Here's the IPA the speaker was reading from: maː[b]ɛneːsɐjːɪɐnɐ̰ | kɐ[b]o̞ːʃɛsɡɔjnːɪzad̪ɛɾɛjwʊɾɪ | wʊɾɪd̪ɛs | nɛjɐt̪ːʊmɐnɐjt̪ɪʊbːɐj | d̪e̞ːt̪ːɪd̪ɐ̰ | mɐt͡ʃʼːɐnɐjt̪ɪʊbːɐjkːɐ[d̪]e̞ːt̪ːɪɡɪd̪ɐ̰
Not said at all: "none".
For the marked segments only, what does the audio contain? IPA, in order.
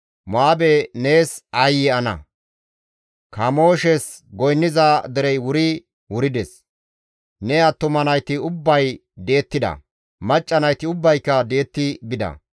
b, m, d̪

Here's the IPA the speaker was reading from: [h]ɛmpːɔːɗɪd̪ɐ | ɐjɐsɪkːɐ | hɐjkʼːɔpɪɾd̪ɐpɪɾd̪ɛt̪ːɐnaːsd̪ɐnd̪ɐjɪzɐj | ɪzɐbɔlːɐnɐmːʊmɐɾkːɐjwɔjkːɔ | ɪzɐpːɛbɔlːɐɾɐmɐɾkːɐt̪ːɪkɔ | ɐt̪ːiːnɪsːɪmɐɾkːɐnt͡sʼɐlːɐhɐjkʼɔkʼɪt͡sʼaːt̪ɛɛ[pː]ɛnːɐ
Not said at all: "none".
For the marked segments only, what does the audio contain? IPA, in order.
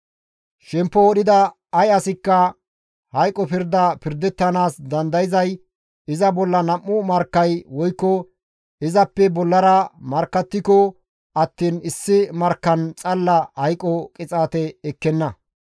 ʃ, kː

